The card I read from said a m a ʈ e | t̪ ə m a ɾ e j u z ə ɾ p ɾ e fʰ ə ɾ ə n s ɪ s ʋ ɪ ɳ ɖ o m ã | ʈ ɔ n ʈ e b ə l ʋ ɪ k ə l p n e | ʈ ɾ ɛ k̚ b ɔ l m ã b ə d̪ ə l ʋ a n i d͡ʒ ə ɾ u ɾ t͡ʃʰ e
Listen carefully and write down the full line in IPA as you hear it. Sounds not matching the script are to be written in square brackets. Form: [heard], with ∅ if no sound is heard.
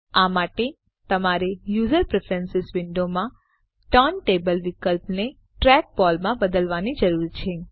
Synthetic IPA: a m a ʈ e | t̪ ə m a ɾ e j u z ə ɾ p ɾ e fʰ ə ɾ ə n s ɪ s ʋ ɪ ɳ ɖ o m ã | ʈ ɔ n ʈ e b ə l ʋ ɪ k ə l p n e | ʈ ɾ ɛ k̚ b ɔ l m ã b ə d̪ ə l ʋ a n i d͡ʒ ə ɾ u ɾ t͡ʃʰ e